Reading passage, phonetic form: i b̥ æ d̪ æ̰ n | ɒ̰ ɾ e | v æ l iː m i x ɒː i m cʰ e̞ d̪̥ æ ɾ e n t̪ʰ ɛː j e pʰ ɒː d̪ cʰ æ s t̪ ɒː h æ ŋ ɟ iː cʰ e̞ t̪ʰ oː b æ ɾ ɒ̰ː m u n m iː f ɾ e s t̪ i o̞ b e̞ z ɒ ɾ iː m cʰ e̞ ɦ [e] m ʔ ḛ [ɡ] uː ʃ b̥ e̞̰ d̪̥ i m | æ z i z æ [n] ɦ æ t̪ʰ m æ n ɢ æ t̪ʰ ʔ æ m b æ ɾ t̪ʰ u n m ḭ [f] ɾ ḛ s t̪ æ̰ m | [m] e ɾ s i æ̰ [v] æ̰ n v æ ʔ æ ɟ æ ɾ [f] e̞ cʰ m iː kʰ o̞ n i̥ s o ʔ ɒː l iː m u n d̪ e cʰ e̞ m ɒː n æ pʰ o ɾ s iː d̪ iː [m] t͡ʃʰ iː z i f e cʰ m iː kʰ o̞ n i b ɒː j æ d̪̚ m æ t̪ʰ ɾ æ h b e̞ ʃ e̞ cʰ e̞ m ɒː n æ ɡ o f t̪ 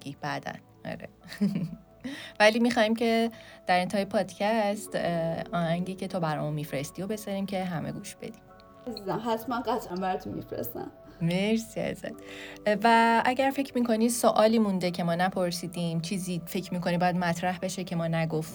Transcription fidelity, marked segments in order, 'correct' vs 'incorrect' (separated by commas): incorrect, correct, incorrect, correct, correct, incorrect, correct, correct